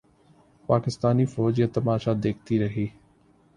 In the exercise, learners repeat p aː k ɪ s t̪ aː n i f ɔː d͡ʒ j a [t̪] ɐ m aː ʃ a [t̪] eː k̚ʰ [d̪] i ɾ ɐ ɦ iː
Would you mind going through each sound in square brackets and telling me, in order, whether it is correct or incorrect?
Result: correct, incorrect, incorrect

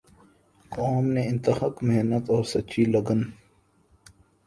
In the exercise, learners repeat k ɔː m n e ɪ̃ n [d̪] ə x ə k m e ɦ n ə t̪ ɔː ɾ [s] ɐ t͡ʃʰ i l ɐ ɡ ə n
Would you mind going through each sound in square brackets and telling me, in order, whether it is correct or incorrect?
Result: incorrect, correct

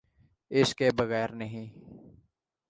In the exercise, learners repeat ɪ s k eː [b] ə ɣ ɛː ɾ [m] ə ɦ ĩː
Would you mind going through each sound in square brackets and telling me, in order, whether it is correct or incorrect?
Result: correct, incorrect

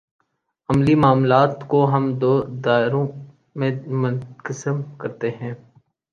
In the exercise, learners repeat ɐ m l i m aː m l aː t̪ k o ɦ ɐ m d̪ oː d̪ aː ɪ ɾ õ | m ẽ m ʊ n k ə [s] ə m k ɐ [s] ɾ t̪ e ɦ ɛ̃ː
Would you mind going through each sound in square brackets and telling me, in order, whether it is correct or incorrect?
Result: correct, incorrect

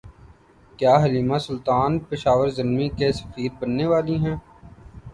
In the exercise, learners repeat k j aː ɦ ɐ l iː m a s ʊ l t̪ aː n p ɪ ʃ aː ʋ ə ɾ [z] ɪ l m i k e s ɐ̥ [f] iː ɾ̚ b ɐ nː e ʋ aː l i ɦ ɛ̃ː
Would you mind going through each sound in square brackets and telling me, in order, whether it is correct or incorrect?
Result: correct, correct

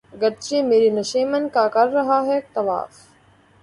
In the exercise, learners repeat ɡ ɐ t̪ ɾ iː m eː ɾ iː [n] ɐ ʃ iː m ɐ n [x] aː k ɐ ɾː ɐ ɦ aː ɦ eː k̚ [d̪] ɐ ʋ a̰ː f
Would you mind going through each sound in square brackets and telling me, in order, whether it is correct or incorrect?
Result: correct, incorrect, incorrect

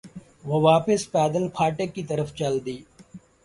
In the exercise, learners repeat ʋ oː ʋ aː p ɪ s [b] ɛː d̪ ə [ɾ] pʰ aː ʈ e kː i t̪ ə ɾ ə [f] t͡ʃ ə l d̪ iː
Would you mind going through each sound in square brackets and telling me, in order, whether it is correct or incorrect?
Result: incorrect, incorrect, correct

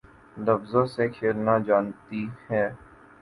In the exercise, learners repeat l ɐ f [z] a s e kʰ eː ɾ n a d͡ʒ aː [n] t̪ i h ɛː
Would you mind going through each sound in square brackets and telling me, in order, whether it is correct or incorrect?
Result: correct, correct

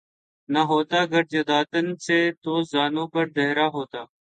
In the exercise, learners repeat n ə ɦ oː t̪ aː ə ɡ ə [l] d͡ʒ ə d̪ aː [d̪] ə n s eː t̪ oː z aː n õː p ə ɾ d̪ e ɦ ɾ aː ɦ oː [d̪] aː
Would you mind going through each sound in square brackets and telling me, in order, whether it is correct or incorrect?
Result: incorrect, incorrect, incorrect

